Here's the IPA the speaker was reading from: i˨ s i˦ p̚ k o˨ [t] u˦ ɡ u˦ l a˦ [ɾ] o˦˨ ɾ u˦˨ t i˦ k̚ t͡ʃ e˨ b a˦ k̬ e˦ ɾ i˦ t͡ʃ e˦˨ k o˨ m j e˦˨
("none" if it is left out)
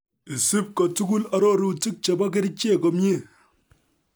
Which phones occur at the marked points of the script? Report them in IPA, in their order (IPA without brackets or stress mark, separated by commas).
t, ɾ